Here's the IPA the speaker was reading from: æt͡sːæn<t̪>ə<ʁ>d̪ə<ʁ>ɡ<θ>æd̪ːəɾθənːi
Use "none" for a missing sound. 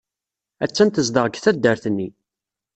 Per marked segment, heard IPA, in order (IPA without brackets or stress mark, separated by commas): t̪, z, ʁ, θ